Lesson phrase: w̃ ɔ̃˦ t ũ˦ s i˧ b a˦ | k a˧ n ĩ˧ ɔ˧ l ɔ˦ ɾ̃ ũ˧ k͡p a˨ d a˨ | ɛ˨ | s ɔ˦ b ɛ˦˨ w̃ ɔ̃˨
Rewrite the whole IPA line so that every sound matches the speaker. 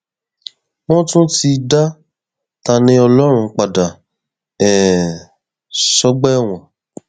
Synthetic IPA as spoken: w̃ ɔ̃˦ t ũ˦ t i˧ d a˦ | t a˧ n ĩ˧ ɔ˧ l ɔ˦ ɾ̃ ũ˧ k͡p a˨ d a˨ | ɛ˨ | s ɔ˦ ɡ͡b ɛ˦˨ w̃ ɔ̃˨